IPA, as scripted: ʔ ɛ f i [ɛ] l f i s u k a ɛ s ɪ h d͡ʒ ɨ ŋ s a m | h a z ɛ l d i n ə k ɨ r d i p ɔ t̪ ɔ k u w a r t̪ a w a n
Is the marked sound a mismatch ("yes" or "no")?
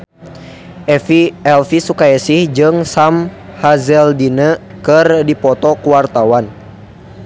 no